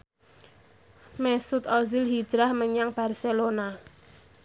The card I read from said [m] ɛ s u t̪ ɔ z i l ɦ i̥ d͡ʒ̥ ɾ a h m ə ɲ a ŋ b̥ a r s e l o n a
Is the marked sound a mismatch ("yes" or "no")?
no